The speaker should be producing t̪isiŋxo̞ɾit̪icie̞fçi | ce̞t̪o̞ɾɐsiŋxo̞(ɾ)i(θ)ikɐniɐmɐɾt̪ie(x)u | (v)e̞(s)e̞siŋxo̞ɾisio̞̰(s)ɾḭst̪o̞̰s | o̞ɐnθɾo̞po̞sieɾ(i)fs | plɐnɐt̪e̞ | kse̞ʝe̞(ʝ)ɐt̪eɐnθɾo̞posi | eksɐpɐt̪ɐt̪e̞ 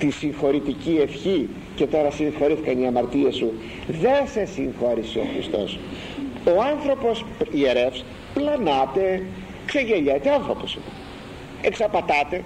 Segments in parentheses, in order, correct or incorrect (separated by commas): correct, correct, incorrect, incorrect, correct, incorrect, incorrect, incorrect